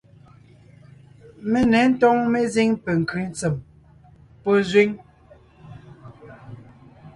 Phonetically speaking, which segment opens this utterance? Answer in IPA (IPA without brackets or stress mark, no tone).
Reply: m